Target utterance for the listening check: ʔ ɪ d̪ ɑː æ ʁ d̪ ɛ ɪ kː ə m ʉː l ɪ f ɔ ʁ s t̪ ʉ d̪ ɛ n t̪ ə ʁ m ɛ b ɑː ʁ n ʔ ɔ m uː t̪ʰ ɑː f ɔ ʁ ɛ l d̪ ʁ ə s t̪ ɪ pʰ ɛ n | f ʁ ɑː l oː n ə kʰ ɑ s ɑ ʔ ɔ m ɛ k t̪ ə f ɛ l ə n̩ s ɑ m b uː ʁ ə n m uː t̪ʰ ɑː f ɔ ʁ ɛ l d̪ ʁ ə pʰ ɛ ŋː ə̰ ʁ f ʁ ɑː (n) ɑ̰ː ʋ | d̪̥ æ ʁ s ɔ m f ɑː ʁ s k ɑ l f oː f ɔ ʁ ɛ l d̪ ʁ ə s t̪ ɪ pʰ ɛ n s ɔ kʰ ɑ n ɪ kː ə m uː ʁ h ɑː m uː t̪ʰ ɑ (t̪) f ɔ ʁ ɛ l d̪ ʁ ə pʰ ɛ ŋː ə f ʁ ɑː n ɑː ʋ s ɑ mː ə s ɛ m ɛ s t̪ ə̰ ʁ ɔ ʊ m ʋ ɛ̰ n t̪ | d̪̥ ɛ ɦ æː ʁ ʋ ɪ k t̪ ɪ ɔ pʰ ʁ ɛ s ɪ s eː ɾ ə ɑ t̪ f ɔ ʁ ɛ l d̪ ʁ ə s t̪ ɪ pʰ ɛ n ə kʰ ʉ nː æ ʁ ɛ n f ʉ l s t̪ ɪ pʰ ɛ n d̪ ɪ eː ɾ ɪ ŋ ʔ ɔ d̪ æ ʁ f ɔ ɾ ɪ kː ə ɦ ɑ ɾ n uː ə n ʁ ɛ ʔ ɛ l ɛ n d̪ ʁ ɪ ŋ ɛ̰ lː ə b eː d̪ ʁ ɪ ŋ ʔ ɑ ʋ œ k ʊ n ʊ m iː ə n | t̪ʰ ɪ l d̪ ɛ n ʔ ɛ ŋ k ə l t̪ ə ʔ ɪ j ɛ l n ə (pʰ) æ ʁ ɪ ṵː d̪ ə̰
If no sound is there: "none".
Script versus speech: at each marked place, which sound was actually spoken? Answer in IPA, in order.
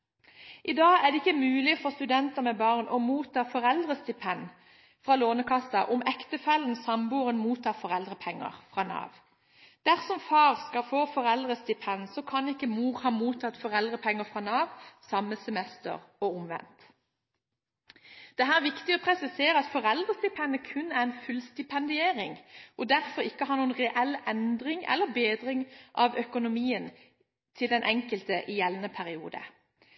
n, t̪, pʰ

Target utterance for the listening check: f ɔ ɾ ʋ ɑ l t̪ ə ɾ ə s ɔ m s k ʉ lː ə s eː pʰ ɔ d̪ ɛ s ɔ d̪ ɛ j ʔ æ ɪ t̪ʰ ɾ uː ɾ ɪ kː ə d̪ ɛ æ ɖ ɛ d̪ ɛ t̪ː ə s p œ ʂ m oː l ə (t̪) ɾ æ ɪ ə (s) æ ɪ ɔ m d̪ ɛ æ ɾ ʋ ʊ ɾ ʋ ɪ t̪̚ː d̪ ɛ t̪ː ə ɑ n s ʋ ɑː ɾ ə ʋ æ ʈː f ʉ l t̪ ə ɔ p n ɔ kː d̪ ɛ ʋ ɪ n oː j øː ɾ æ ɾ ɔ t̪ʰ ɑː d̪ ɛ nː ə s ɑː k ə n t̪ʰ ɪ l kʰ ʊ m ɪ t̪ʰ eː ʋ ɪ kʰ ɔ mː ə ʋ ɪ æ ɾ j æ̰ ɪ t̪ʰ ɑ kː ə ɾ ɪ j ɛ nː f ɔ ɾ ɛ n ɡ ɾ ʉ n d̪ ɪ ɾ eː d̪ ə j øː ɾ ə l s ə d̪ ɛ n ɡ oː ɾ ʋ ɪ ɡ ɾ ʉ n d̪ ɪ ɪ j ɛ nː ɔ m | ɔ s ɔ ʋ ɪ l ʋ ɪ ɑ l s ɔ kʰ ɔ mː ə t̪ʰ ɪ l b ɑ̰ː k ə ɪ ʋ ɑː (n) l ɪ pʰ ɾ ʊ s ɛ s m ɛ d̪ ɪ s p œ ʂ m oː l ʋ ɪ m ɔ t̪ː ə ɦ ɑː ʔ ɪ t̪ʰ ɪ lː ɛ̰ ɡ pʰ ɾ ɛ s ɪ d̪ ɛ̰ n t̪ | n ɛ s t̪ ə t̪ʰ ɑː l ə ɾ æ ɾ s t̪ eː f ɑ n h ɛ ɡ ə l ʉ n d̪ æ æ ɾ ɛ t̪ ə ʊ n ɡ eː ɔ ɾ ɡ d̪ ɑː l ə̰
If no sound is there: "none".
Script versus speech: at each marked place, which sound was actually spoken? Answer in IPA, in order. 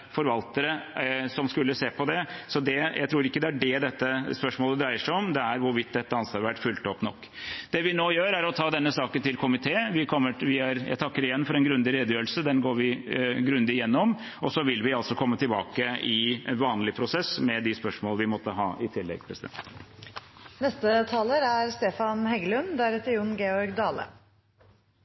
d̪, ʂ, n

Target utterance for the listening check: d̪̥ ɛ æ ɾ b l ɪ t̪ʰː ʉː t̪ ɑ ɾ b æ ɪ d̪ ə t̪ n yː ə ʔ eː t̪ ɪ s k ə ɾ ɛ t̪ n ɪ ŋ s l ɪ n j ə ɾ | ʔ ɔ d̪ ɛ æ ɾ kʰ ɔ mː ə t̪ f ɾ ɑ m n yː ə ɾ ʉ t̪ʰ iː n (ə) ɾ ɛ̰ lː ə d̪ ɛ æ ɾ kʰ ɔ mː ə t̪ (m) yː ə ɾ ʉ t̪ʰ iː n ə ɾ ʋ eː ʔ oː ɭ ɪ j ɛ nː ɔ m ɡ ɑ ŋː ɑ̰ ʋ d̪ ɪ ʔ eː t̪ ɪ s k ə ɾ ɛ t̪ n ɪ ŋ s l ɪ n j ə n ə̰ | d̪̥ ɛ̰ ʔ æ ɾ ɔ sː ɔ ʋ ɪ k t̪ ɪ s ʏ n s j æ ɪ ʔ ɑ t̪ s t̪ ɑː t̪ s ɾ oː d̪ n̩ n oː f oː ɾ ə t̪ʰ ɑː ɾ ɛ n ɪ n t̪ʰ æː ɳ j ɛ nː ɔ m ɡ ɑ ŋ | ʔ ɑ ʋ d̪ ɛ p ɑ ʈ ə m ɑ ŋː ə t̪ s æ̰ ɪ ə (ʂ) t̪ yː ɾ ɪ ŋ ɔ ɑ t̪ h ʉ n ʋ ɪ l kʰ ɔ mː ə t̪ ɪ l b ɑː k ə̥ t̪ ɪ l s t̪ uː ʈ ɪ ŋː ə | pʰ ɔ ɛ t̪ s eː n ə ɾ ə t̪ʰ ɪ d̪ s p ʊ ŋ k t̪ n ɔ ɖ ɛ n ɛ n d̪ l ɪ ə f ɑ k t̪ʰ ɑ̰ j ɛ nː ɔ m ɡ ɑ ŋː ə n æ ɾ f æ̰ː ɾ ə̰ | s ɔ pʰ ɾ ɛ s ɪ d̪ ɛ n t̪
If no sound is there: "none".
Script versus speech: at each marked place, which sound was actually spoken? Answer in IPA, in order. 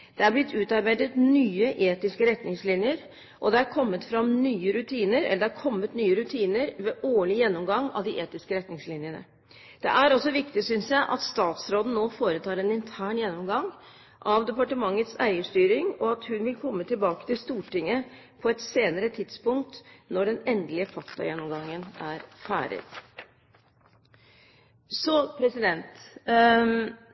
ə, n, ʂ

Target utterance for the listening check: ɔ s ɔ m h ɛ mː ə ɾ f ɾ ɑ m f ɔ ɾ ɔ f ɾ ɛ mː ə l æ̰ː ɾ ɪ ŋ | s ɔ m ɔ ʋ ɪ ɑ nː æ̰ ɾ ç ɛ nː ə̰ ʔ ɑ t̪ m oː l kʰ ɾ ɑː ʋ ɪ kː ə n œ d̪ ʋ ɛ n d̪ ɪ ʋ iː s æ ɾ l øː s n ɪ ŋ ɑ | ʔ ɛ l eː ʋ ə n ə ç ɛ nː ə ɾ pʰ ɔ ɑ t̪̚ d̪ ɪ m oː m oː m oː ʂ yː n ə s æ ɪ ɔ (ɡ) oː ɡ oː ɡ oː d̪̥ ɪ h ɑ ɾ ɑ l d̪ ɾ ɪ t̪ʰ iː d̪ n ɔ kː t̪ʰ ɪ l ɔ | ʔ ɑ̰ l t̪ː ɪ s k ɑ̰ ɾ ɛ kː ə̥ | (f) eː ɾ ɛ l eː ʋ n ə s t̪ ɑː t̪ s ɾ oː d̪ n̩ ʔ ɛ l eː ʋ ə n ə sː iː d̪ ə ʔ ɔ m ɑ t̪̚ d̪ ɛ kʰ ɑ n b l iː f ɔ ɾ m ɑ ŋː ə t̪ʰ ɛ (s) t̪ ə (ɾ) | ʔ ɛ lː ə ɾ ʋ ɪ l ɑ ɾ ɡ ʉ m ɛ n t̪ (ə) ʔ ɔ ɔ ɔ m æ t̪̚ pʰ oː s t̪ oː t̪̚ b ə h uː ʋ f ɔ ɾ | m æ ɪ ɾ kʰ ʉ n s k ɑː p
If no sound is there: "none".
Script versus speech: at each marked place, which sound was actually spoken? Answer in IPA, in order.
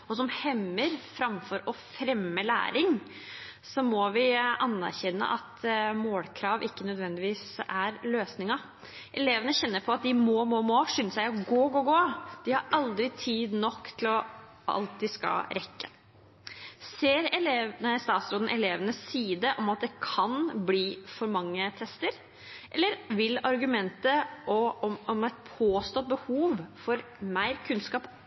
ɡ, s, s, ɾ, ə

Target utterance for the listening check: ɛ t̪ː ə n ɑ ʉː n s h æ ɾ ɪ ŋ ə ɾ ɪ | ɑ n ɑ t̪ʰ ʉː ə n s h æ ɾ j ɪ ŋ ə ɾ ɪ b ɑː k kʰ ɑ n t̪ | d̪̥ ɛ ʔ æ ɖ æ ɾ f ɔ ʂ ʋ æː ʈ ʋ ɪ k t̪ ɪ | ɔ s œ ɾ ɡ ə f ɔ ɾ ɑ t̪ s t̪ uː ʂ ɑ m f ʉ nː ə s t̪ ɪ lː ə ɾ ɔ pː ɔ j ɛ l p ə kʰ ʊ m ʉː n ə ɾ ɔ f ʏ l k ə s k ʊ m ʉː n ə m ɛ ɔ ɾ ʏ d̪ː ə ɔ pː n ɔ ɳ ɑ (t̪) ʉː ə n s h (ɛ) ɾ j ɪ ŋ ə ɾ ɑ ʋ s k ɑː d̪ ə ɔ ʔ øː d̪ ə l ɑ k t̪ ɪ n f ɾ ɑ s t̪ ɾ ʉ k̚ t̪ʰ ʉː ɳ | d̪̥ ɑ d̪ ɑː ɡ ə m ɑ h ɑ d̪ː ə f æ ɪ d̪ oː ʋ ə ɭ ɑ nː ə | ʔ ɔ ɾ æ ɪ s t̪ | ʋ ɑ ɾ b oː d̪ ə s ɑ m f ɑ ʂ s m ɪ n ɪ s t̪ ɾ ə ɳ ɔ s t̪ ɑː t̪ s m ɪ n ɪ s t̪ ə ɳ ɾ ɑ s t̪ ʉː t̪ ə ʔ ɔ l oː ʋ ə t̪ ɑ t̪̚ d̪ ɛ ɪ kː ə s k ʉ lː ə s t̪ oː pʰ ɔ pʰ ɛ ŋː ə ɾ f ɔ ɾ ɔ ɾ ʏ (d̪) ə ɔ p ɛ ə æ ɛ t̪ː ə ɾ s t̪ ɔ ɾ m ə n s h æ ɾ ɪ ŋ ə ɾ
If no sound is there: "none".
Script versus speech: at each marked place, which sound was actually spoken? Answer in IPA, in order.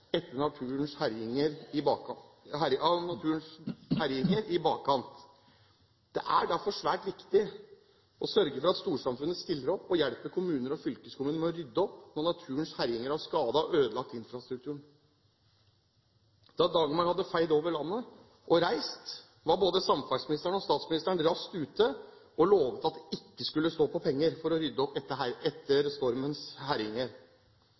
t̪ʰ, æ, d̪ː

